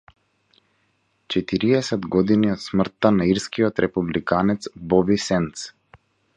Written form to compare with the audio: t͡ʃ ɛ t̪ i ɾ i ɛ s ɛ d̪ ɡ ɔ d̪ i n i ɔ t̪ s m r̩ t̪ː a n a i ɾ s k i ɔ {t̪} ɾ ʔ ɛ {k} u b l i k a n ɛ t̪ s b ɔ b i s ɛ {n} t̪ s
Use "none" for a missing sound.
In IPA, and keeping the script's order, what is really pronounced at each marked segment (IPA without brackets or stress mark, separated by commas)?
t̪, p, n